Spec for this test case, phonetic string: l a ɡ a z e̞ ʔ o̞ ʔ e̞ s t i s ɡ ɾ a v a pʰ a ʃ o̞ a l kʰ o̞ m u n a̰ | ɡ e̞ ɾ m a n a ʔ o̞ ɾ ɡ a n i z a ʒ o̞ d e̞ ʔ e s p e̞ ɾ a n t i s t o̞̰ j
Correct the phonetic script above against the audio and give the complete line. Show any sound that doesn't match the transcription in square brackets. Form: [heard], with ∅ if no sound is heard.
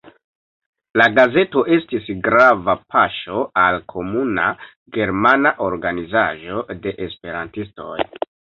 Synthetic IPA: l a ɡ a z e̞ [t] o̞ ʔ e̞ s t i s ɡ ɾ a v a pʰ a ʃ o̞ a l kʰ o̞ m u n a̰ | ɡ e̞ ɾ m a n a ʔ o̞ ɾ ɡ a n i z a ʒ o̞ d e̞ ʔ e s p e̞ ɾ a n t i s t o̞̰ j

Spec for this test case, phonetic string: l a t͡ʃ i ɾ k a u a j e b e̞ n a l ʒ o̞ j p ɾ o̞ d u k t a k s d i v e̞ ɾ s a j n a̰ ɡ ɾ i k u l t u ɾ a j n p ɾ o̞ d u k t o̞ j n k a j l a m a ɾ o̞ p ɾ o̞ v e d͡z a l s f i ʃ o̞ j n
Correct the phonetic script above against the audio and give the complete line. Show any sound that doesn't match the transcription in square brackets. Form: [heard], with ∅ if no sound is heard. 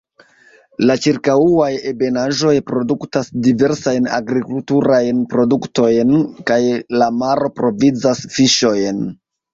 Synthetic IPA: l a t͡ʃ i ɾ k a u a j e b e̞ n a [∅] ʒ o̞ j p ɾ o̞ d u k t a [∅] s d i v e̞ ɾ s a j n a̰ ɡ ɾ i k u l t u ɾ a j n p ɾ o̞ d u k t o̞ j n k a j l a m a ɾ o̞ p ɾ o̞ v [i] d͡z a [∅] s f i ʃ o̞ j n

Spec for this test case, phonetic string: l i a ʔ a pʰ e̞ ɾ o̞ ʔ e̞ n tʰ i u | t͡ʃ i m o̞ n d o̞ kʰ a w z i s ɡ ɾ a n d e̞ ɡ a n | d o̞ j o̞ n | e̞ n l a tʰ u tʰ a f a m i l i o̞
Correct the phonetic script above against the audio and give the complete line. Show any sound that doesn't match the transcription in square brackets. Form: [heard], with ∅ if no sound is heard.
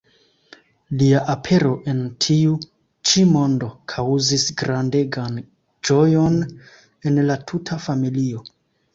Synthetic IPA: l i a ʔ a pʰ e̞ ɾ o̞ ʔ e̞ n tʰ i u | t͡ʃ i m o̞ n d o̞ kʰ a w z i s ɡ ɾ a n d e̞ ɡ a n | [d͡ʒ] o̞ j o̞ n | e̞ n l a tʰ u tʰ a f a m i l i o̞

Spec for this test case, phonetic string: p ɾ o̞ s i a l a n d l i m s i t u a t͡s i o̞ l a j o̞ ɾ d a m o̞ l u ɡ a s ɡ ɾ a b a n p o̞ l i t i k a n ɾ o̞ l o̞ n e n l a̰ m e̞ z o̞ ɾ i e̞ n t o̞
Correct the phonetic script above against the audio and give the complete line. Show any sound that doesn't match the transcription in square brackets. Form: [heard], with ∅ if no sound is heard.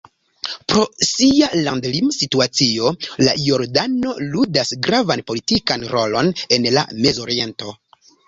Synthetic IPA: p ɾ o̞ s i a l a n d l i m s i t u a t͡s i o̞ l a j o̞ ɾ d a [n] o̞ l u [d] a s ɡ ɾ a [v] a n p o̞ l i t i k a n ɾ o̞ l o̞ n e n l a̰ m e̞ z o̞ ɾ i e̞ n t o̞

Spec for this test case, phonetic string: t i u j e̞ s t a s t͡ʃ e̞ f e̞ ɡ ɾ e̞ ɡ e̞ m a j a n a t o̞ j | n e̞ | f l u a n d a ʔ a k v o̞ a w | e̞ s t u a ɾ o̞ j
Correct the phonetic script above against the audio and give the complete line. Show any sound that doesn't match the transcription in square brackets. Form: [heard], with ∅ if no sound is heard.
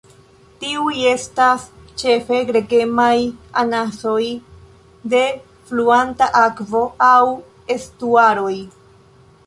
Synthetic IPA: t i u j e̞ s t a s t͡ʃ e̞ f e̞ ɡ ɾ e̞ ɡ e̞ m a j a n a [s] o̞ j | [d] e̞ | f l u a n [t] a ʔ a k v o̞ a w | e̞ s t u a ɾ o̞ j

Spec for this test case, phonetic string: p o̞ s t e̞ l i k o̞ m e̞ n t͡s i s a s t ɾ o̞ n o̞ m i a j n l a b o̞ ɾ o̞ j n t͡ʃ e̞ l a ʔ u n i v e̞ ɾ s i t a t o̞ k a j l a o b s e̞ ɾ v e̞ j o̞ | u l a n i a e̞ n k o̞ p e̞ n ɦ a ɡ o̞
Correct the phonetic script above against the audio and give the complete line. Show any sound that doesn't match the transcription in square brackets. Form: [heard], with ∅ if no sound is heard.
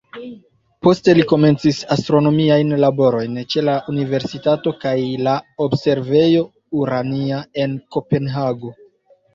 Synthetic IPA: p o̞ s t e̞ l i k o̞ m e̞ n t͡s i s a s t ɾ o̞ n o̞ m i a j n l a b o̞ ɾ o̞ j n t͡ʃ e̞ l a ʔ u n i v e̞ ɾ s i t a t o̞ k a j l a o b s e̞ ɾ v e̞ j o̞ | u [ɾ] a n i a e̞ n k o̞ p e̞ n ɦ a ɡ o̞

